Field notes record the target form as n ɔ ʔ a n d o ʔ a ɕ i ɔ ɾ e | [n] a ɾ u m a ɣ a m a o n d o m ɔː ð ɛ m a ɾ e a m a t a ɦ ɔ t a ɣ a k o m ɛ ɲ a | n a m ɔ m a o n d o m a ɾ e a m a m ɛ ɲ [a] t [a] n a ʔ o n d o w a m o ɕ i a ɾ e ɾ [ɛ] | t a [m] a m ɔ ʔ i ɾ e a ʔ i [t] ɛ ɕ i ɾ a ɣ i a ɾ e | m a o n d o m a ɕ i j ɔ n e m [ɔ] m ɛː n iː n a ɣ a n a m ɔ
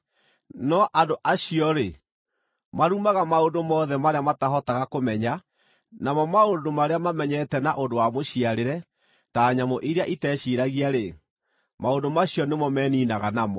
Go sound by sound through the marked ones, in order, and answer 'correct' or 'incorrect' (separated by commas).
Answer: incorrect, incorrect, incorrect, correct, incorrect, correct, correct